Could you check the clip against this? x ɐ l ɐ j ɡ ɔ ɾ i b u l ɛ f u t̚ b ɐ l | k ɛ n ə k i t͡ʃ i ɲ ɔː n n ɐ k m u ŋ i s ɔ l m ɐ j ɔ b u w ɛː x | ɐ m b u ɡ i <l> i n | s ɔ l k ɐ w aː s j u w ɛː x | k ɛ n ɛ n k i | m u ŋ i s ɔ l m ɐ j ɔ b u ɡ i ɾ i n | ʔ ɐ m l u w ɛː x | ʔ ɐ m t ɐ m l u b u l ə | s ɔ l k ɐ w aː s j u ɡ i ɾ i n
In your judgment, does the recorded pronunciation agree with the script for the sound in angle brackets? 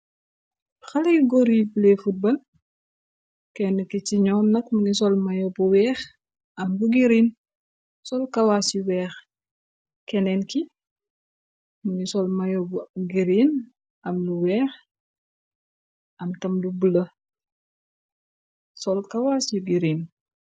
no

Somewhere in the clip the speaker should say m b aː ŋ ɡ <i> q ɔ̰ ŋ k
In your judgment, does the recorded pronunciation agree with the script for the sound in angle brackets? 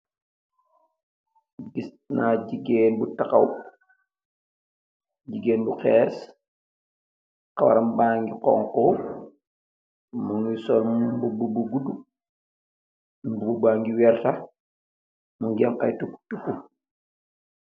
yes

